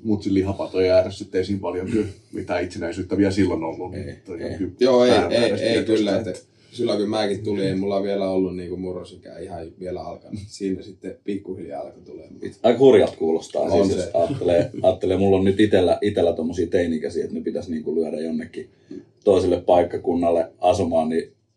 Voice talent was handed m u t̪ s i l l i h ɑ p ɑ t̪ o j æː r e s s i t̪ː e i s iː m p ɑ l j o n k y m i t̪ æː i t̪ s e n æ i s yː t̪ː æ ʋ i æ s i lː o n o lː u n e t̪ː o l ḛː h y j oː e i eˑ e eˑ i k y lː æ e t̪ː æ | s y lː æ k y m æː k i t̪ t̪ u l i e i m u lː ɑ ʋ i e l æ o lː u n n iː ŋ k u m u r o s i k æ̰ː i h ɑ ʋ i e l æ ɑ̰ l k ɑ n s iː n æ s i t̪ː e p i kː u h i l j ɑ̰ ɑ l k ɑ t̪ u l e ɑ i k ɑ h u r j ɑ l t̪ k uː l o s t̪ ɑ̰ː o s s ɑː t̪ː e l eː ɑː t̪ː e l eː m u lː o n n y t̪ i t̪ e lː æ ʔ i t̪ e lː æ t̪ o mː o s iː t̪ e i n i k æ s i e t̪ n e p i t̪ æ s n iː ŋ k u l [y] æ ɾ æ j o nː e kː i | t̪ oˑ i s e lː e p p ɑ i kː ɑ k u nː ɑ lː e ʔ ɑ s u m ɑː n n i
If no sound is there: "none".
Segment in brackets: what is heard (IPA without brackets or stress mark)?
y